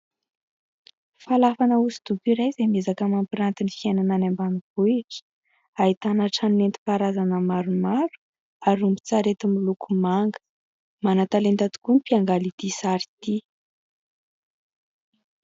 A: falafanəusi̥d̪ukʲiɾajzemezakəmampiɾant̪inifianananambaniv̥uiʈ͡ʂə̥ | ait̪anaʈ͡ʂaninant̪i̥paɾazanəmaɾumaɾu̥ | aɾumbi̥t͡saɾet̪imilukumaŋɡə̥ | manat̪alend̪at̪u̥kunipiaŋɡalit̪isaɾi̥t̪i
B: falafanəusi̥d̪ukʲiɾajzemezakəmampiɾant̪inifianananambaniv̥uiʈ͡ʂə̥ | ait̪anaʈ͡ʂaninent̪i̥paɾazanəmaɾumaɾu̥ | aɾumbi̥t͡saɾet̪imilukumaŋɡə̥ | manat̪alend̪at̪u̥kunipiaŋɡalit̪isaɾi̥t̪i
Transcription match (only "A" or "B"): B